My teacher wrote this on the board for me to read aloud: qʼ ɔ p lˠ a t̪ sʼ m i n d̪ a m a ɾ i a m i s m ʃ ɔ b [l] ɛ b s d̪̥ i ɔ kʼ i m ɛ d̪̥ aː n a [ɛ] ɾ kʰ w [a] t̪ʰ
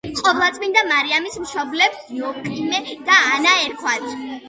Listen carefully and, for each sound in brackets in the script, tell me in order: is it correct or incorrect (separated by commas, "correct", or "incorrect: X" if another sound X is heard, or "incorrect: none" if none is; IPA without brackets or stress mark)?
correct, correct, correct